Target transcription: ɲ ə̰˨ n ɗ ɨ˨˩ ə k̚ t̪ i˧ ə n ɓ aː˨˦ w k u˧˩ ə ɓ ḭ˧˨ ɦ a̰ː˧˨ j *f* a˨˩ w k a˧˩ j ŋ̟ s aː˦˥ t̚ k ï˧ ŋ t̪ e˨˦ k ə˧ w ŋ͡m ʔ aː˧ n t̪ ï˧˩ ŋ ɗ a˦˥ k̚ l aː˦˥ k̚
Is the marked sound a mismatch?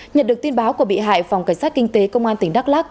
no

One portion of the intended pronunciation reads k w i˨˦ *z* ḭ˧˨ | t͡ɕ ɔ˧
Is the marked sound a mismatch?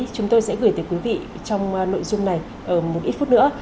yes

